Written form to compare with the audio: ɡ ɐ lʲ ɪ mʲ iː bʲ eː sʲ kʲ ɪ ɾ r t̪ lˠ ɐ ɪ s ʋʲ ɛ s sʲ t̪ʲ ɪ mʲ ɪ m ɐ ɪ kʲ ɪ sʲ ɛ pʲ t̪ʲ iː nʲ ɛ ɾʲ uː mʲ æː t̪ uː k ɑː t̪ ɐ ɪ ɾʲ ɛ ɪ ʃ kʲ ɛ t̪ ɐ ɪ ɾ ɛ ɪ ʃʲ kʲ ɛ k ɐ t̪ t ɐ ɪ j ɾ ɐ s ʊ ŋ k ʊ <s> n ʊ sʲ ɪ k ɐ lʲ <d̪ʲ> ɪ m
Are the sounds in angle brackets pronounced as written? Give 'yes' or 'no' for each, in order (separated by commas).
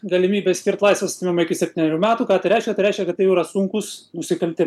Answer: yes, no